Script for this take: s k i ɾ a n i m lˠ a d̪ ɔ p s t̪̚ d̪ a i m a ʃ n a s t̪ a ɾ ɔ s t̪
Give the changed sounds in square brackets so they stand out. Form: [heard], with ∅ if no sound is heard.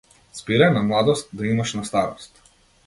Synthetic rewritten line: s [p] i ɾ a n [a] m lˠ a d̪ ɔ [∅] s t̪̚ d̪ a i m a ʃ n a s t̪ a ɾ ɔ s t̪